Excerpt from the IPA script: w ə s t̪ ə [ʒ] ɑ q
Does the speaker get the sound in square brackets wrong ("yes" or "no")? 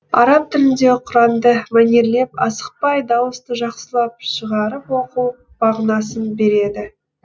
no